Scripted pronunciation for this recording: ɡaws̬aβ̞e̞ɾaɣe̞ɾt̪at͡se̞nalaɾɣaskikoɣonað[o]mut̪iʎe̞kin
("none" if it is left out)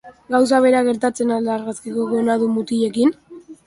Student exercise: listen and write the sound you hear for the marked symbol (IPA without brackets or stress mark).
u